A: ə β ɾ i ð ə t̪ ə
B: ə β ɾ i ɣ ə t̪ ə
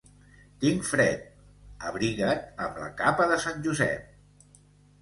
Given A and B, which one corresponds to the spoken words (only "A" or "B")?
B